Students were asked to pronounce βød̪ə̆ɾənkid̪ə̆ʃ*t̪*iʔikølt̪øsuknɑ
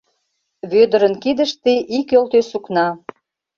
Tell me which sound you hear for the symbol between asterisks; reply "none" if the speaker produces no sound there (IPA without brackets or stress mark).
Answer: t̪